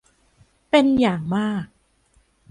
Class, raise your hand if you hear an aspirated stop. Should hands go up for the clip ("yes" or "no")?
no